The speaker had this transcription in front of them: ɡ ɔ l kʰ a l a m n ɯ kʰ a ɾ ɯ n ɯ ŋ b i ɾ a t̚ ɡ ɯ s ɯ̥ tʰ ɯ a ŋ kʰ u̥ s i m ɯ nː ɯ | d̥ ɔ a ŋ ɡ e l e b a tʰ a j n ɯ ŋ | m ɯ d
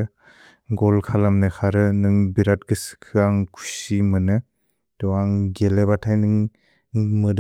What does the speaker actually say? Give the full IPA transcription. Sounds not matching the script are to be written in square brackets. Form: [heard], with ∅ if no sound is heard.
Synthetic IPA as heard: ɡ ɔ l kʰ a l a m n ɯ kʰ a ɾ ɯ n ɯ ŋ b i ɾ a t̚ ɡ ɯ s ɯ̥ [kʰ] ɯ a ŋ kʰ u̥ s i m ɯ [n] ɯ | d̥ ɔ a ŋ ɡ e l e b a tʰ a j n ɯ ŋ | m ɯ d